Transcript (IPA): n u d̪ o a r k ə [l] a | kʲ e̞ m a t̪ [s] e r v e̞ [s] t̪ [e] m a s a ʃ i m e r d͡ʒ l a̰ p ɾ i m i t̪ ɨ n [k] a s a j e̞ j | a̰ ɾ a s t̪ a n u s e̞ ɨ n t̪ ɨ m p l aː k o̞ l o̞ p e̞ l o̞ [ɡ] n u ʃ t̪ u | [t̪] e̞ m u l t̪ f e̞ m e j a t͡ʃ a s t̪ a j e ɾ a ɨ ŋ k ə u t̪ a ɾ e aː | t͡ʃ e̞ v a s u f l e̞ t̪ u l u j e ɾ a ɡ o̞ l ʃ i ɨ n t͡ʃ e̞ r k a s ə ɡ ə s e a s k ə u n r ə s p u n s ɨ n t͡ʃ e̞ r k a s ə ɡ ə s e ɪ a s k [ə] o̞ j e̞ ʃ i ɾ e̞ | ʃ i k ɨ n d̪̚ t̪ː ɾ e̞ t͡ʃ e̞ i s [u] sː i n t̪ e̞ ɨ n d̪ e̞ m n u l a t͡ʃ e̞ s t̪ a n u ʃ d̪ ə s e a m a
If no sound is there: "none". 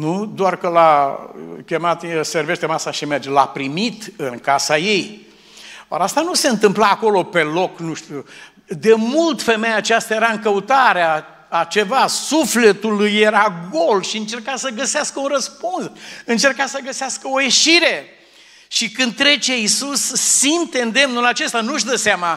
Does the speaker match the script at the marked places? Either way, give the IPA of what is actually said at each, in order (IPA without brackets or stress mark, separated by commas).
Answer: l, s, ʃ, e, k, k, d̪, ə, u